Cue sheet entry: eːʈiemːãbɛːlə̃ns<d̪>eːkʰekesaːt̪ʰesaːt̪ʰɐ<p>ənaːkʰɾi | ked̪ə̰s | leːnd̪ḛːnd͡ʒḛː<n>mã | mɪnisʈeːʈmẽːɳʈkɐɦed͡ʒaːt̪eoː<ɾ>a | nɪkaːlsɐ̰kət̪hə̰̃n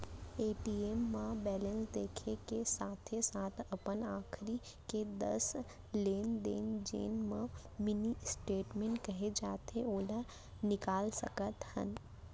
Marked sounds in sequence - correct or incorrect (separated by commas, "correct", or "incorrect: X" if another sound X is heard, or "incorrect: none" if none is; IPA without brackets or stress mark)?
correct, correct, correct, incorrect: l